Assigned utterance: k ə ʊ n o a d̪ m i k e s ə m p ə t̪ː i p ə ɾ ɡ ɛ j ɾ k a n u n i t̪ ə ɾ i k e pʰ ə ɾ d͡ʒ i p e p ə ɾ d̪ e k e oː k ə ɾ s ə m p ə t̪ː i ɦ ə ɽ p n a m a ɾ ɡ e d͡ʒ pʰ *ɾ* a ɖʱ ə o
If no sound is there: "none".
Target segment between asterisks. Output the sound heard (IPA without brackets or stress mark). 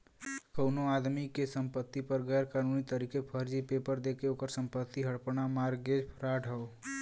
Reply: ɾ